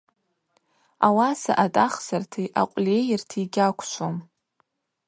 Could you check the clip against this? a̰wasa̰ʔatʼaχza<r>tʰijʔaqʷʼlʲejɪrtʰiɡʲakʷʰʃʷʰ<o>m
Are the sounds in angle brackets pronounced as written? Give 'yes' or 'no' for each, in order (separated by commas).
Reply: yes, yes